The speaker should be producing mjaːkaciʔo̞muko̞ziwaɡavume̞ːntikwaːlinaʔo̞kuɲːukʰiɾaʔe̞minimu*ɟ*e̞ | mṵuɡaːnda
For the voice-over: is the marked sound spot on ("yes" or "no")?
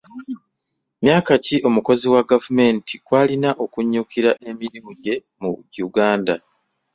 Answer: yes